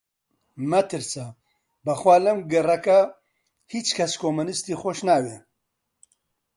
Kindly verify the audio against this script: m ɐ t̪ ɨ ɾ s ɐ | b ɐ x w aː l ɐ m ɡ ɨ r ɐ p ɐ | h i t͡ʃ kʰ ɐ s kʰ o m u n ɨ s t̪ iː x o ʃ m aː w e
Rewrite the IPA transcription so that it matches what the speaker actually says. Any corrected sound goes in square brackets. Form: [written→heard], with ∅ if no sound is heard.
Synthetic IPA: m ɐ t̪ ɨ ɾ s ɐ | b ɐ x w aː l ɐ m ɡ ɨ r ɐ [p→k] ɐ | h i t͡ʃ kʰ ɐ s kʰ o m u n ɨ s t̪ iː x o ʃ [m→n] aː w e